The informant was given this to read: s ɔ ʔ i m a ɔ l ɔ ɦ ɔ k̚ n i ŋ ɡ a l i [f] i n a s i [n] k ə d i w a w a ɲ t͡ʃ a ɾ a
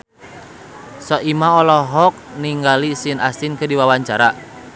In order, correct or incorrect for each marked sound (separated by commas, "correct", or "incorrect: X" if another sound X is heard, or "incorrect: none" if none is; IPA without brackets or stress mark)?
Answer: incorrect: s, correct